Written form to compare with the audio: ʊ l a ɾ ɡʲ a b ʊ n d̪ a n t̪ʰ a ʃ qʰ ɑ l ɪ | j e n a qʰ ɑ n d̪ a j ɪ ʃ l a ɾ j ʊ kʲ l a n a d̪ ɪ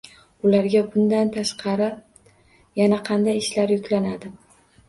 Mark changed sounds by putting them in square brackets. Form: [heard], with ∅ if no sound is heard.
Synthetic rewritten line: ʊ l a ɾ ɡʲ a b ʊ n d̪ a n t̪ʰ a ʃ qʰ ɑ [ɾ] ɪ | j [a] n a qʰ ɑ n d̪ a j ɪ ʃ l a ɾ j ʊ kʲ l a n a d̪ ɪ